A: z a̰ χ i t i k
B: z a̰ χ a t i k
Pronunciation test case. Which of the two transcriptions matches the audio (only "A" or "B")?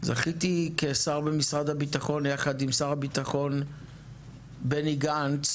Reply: A